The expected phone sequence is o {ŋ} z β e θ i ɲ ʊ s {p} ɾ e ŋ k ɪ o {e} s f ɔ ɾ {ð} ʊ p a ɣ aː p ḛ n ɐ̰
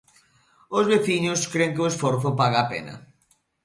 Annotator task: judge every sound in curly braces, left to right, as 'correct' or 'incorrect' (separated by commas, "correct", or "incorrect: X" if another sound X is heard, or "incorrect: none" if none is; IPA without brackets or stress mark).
incorrect: none, incorrect: k, correct, incorrect: θ